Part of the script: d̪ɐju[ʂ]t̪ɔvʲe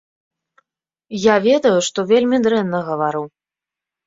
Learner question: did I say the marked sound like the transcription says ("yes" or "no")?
yes